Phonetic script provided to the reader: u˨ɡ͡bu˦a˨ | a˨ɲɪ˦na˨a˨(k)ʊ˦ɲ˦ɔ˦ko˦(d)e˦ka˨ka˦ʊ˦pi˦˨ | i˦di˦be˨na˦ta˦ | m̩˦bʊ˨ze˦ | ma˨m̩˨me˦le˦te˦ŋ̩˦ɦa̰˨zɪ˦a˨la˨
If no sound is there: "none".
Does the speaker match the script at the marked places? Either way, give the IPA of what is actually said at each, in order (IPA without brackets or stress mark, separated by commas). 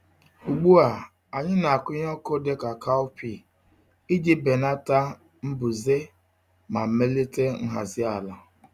k, d